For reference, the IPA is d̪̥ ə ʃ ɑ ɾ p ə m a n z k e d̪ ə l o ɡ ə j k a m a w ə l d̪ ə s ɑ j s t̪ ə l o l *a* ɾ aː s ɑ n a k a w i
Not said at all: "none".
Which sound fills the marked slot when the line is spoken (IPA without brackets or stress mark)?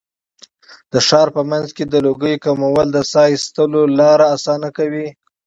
ɑ